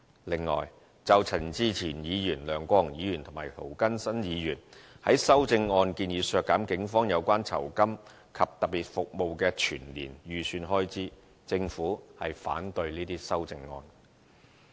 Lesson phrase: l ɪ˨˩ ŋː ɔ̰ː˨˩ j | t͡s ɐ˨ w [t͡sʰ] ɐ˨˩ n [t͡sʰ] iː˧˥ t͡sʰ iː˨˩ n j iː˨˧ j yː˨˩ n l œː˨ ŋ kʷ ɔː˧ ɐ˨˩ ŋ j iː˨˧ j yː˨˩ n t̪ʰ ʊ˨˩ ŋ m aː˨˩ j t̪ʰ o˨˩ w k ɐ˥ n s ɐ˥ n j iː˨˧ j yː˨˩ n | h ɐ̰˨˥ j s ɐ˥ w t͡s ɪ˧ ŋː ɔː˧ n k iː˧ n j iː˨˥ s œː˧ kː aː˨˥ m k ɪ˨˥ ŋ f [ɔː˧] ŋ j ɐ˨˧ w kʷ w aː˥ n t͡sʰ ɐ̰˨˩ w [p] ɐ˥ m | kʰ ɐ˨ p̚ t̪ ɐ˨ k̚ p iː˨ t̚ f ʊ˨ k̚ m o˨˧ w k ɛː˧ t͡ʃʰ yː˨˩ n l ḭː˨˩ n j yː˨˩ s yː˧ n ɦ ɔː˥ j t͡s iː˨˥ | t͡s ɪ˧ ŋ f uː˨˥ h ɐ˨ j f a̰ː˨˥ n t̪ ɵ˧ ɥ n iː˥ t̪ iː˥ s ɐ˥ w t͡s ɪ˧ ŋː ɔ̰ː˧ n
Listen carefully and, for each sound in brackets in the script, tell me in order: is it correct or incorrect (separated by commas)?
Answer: correct, incorrect, incorrect, incorrect